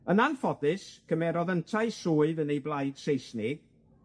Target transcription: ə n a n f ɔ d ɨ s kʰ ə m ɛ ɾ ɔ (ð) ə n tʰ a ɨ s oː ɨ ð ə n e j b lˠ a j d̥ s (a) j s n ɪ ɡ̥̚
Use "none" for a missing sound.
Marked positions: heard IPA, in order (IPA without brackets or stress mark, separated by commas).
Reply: ð, e